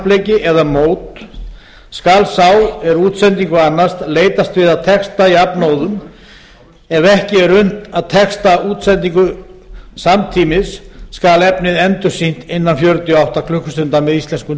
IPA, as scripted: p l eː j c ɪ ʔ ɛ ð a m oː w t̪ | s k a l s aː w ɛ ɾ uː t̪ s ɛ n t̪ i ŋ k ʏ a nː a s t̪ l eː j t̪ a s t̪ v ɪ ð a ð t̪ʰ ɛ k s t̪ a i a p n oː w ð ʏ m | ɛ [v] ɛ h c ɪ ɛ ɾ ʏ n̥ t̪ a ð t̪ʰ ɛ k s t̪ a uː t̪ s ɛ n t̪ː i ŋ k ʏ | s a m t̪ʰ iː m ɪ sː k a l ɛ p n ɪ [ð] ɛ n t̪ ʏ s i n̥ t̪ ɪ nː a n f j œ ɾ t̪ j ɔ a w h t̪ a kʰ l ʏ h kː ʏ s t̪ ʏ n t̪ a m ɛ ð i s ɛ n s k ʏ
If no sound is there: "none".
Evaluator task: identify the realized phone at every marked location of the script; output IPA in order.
v, ð

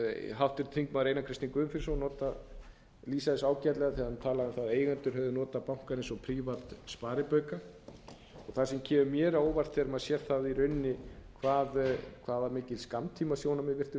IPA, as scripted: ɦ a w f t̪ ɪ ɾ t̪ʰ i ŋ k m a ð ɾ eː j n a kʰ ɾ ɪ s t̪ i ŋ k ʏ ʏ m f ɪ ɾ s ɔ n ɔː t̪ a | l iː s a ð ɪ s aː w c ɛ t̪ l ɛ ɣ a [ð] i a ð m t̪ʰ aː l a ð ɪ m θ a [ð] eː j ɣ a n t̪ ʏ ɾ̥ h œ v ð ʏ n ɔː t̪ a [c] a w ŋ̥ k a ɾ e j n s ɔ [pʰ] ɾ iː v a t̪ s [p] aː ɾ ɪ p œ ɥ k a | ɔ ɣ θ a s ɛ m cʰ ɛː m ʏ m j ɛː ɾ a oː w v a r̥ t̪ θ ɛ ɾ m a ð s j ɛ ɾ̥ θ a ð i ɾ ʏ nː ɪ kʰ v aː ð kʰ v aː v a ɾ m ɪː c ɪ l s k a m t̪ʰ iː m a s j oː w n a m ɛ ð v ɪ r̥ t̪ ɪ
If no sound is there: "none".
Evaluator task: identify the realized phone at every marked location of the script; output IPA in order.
θ, ð, p, pʰ, p

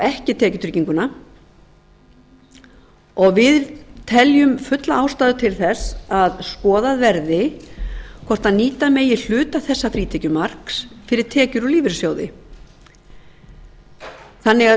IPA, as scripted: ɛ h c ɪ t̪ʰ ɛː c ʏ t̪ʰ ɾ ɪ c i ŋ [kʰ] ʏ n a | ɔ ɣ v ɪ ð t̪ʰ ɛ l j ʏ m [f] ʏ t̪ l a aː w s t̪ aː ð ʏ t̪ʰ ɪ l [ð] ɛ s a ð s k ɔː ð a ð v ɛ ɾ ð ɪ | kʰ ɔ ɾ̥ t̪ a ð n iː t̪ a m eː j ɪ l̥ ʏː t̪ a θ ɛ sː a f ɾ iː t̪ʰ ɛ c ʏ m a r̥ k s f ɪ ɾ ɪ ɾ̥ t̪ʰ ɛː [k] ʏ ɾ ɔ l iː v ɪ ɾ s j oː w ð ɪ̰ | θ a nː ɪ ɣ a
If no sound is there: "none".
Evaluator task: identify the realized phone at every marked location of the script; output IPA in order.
k, f, θ, c

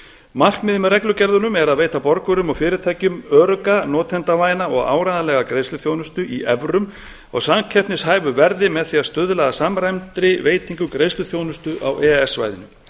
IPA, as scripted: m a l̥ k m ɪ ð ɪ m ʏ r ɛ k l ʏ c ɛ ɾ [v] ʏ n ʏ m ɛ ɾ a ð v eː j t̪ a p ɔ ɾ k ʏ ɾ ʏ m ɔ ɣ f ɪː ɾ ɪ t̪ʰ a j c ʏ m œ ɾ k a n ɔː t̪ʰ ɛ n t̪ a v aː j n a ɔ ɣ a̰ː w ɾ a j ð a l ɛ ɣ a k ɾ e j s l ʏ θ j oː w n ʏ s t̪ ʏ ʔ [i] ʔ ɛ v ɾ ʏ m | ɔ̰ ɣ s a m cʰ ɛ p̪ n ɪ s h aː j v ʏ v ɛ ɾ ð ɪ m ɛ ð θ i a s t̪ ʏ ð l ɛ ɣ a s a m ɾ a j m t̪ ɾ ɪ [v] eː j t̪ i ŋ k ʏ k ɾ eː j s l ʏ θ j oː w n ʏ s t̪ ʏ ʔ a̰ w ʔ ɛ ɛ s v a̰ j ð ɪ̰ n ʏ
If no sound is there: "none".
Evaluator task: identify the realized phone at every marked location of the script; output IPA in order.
ð, i, v

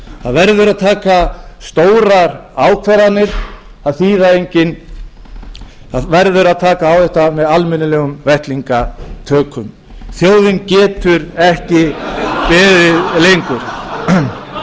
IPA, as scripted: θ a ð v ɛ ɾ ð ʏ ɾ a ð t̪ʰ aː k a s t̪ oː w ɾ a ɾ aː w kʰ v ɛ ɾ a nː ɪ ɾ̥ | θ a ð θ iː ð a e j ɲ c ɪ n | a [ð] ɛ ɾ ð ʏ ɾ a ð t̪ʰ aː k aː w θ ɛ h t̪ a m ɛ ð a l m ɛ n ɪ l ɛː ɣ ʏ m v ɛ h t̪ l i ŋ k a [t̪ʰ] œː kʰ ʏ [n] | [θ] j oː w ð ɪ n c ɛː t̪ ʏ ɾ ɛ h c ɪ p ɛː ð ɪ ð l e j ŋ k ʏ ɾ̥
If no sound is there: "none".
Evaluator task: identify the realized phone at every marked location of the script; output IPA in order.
v, t̪ʰ, m, θ

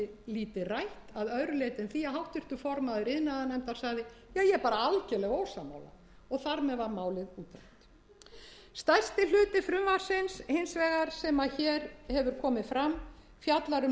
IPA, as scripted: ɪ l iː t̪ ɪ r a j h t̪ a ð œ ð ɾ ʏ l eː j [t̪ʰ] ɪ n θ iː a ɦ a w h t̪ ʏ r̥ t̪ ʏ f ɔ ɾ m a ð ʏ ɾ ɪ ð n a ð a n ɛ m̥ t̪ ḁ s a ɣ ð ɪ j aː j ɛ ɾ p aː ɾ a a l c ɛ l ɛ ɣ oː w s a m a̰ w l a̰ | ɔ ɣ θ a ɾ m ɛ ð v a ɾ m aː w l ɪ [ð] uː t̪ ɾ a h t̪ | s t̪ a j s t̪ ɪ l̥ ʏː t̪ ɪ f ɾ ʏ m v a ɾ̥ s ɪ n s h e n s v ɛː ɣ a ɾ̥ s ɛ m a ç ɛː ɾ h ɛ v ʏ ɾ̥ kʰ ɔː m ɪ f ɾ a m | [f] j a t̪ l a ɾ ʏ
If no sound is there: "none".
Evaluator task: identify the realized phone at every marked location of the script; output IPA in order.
t̪, ð, f

